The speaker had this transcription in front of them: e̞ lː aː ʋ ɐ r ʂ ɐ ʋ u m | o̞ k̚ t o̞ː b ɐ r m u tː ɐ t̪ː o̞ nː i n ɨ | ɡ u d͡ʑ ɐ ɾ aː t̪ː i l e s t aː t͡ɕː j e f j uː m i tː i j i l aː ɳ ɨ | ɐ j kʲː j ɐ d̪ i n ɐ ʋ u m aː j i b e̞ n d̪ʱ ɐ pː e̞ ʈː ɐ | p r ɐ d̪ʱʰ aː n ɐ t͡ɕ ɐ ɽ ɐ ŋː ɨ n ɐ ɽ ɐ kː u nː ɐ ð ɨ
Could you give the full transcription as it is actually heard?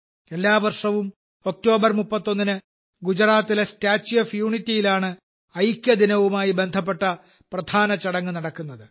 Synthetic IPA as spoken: e̞ lː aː ʋ ɐ r ʂ ɐ ʋ u m | o̞ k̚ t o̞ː b ɐ r m u pː ɐ t̪ː o̞ nː i n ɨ | ɡ u d͡ʑ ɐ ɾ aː t̪ː i l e s t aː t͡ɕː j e f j uː ɳ i tː i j i l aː ɳ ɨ | ɐ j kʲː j ɐ d̪ i n ɐ ʋ u m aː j i b e̞ n d̪ʱ ɐ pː e̞ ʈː ɐ | p r ɐ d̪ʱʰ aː n ɐ t͡ɕ ɐ ɽ ɐ ŋː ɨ n ɐ ɽ ɐ kː u nː ɐ ð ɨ